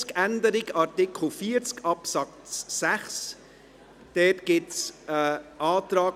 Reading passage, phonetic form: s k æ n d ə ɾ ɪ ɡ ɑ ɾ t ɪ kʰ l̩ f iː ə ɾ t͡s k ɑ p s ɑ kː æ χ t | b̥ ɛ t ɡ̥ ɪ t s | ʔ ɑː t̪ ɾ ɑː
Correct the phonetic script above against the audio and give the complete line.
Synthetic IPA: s k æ n d ə ɾ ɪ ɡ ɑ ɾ t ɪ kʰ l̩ f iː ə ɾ t͡s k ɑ p s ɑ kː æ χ s | d̥ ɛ t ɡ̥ ɪ t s | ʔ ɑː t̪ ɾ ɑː